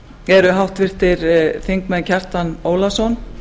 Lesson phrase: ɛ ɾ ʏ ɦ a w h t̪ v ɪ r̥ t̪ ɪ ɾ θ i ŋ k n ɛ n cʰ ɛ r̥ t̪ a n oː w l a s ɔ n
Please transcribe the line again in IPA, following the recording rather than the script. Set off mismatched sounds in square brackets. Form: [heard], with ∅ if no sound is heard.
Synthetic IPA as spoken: ɛ ɾ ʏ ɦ a w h t̪ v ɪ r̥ t̪ ɪ ɾ θ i ŋ k [m] ɛ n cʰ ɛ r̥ t̪ a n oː w l a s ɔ n